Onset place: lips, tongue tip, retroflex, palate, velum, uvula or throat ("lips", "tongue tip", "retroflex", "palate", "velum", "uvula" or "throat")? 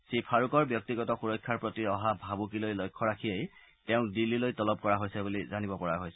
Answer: tongue tip